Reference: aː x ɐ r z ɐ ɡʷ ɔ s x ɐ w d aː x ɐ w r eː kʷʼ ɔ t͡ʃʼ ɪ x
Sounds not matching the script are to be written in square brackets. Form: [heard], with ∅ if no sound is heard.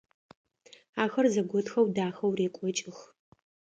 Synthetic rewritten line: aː x ɐ r z ɐ ɡʷ ɔ [t] x ɐ w d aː x ɐ w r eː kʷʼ ɔ t͡ʃʼ ɪ x